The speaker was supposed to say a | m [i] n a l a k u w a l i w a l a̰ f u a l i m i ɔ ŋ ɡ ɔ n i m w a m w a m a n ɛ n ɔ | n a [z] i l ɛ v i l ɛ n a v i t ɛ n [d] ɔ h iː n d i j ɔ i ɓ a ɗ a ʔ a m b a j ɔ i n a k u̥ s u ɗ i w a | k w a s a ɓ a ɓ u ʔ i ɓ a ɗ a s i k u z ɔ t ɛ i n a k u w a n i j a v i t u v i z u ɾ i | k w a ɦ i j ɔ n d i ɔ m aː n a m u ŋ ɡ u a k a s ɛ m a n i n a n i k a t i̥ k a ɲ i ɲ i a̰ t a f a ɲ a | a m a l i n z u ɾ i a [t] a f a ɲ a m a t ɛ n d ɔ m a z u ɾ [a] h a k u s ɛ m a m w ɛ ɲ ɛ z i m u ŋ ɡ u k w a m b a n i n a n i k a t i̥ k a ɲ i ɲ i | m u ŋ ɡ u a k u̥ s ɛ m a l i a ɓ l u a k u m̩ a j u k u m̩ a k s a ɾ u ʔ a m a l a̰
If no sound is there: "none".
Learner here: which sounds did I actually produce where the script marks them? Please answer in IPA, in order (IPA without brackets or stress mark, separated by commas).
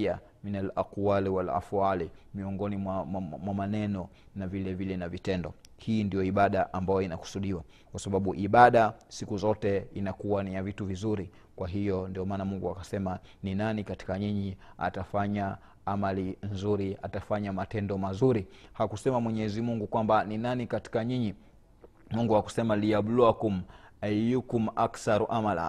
i, v, d, t, i